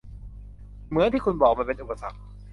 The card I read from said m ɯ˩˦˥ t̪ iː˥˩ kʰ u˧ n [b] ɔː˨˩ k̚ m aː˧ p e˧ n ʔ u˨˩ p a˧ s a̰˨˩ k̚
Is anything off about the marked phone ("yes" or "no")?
no